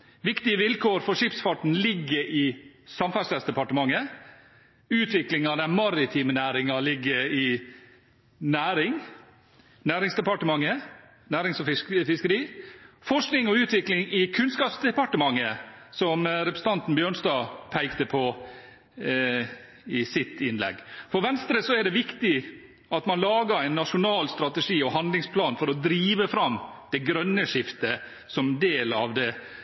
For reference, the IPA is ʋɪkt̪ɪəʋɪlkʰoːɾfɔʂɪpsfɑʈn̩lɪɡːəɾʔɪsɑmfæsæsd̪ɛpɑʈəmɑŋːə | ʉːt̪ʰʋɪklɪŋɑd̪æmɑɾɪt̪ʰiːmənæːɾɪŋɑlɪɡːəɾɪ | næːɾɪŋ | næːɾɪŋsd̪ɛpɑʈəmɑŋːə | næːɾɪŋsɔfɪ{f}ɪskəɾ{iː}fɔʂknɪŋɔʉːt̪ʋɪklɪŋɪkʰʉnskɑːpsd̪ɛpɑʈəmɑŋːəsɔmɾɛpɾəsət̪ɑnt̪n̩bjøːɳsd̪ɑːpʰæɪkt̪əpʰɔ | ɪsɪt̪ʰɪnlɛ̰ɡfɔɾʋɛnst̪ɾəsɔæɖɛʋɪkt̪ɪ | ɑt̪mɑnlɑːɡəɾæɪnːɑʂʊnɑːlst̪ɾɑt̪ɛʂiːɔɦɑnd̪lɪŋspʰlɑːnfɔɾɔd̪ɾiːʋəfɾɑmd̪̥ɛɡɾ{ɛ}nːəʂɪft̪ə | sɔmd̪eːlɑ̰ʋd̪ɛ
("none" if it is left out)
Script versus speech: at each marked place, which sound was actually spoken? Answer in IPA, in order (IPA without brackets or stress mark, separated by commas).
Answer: f, iː, œ